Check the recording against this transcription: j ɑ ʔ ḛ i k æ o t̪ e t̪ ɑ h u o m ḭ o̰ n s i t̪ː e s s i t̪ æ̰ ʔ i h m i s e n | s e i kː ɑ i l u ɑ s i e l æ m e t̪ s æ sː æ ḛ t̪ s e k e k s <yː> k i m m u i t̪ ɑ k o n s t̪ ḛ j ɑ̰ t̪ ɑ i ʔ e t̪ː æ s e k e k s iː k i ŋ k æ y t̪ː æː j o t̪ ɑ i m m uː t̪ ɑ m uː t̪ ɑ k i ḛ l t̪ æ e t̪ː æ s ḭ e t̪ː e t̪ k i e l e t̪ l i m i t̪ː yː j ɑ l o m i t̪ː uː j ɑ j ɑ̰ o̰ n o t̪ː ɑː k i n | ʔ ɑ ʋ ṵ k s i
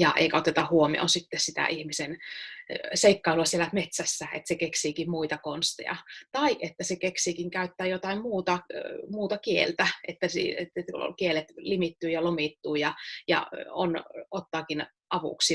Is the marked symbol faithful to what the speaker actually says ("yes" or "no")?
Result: no